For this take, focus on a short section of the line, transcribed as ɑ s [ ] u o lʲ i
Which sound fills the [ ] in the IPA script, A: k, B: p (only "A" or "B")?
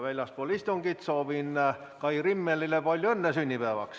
B